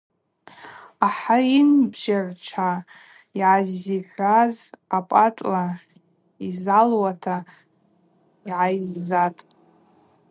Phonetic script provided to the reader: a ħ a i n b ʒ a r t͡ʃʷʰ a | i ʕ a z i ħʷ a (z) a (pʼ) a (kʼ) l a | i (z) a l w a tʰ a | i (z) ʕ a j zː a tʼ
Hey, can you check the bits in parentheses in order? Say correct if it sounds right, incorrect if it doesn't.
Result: correct, correct, incorrect: tʼ, correct, incorrect: none

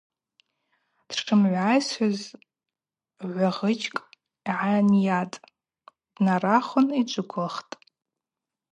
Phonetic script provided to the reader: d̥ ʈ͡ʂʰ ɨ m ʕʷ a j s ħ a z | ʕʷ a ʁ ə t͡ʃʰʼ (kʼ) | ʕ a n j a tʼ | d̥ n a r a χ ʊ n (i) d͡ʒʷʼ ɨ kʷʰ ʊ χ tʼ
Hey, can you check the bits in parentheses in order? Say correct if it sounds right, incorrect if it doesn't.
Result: correct, correct

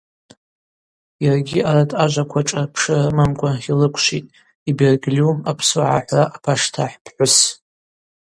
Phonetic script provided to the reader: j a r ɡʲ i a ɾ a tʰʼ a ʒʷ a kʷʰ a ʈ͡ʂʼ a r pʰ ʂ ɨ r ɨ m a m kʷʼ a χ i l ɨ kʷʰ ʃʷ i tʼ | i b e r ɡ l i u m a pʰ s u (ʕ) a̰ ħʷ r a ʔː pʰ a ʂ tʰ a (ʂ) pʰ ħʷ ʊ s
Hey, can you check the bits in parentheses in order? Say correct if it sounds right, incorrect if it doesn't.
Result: correct, incorrect: ħ

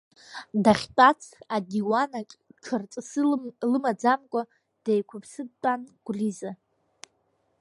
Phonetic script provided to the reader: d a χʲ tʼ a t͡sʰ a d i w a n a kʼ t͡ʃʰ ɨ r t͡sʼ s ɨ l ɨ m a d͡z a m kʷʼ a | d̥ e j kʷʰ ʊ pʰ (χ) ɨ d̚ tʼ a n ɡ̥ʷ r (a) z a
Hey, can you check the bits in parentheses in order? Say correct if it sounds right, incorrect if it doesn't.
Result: incorrect: s, incorrect: i

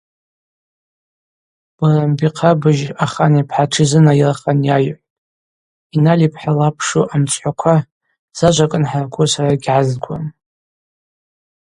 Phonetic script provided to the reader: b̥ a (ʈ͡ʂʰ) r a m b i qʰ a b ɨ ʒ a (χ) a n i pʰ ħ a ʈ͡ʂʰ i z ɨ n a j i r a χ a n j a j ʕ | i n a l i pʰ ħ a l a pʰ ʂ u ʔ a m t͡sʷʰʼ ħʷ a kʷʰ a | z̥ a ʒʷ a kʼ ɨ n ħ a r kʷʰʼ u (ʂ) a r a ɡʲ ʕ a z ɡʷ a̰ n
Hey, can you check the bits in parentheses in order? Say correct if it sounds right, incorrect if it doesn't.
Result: incorrect: none, correct, incorrect: s

